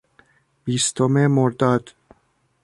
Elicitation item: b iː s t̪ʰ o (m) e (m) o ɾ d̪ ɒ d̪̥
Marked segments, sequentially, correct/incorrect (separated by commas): correct, correct